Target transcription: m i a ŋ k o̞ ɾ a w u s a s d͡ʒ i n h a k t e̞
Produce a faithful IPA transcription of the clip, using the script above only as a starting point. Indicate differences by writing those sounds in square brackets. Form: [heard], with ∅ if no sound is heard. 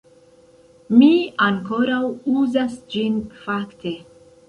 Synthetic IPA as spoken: m i a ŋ k o̞ ɾ a w u [z] a s d͡ʒ i n [f] a k t e̞